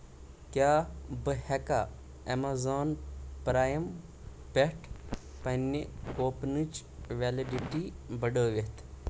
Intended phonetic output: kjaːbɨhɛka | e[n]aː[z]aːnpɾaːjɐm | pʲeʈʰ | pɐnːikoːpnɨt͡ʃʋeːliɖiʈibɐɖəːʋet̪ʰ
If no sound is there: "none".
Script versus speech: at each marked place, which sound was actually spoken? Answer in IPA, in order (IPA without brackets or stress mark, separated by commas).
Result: m, z